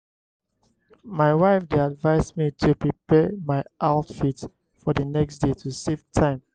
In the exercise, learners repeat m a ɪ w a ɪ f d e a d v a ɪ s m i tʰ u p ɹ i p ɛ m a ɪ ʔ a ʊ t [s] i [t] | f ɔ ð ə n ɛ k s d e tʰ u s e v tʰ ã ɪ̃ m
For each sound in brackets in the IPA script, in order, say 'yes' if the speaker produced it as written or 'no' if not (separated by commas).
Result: no, yes